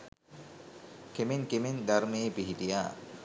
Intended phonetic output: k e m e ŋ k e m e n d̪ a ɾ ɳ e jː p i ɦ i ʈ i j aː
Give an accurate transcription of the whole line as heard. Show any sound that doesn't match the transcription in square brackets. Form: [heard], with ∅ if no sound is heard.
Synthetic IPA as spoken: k e m e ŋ k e m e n d̪ a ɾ [m] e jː p i ɦ i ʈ i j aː